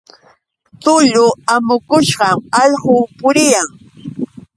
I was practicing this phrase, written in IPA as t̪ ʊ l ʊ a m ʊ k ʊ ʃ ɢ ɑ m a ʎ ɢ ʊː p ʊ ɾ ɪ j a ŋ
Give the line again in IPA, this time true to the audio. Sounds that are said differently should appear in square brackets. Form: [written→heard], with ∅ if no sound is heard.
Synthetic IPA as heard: t̪ ʊ [l→ʎ] ʊ a m ʊ k ʊ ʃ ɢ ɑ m [a→ɑ] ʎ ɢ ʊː p ʊ ɾ ɪ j a ŋ